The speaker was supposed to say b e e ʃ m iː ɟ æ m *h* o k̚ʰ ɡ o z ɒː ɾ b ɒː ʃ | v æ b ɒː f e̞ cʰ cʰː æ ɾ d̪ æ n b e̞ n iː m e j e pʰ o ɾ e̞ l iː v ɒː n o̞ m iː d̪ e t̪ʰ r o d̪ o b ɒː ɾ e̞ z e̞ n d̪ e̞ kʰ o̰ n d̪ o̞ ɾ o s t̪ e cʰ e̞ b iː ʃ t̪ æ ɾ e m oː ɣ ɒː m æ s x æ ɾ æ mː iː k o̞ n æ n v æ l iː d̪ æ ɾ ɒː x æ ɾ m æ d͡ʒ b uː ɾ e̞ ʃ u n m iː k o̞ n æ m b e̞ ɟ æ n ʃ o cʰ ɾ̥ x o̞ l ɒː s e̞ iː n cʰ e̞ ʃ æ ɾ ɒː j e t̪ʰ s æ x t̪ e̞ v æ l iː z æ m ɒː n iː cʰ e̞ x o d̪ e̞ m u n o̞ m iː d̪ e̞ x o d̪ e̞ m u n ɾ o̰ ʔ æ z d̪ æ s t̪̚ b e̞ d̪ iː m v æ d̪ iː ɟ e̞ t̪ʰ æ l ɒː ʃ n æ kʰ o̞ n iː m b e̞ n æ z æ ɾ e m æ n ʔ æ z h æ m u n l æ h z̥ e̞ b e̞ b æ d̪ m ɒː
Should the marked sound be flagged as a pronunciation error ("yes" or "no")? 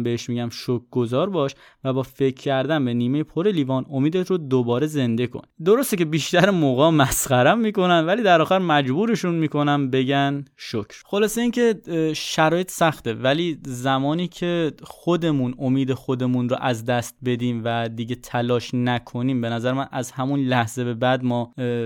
yes